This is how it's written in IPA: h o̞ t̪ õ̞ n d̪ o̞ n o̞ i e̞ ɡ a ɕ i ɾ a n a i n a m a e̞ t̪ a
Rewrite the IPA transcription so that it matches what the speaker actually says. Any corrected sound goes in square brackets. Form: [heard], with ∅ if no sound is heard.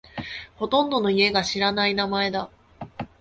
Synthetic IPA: h o̞ t̪ õ̞ n d̪ o̞ n o̞ i e̞ ɡ a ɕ i ɾ a n a i n a m a e̞ [d̪] a